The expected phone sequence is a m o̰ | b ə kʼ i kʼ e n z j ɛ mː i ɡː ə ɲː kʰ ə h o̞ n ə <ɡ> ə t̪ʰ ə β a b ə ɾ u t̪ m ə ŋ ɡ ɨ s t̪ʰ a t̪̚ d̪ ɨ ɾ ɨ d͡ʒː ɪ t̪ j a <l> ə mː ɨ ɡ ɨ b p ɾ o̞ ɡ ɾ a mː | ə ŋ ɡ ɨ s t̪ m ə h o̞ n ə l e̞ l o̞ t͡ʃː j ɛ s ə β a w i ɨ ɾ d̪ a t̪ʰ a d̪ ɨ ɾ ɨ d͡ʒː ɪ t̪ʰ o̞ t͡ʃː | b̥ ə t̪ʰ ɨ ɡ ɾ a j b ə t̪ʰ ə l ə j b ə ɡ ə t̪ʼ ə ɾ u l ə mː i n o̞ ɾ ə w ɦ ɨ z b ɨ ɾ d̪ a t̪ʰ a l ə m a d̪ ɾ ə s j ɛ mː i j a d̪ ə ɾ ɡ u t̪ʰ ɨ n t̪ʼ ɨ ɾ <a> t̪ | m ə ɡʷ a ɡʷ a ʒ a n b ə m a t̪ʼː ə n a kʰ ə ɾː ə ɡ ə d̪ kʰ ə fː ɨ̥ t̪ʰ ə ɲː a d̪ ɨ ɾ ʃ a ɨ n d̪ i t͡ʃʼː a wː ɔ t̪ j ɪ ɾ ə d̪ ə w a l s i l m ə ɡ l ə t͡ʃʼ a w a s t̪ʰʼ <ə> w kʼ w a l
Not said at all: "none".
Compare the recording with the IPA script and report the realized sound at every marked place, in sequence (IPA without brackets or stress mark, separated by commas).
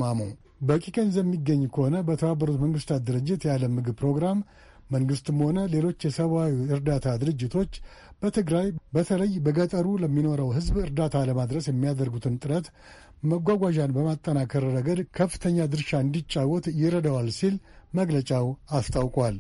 b, l, ə, a